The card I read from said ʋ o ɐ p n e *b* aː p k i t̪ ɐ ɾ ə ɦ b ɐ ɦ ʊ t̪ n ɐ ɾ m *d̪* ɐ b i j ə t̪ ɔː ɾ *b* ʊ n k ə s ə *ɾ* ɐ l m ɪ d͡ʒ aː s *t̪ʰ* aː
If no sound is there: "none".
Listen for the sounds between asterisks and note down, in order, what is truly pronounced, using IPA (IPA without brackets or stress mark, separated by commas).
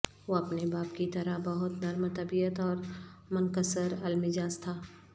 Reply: b, t̪, m, ɾ, t̪ʰ